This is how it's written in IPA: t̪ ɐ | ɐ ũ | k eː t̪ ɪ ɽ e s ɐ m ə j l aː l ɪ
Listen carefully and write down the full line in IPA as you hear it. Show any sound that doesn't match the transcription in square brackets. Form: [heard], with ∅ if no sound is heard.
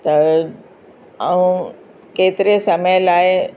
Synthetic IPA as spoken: t̪ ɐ | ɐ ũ | k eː t̪ ɪ [ɾ] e s ɐ m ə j l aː [∅] ɪ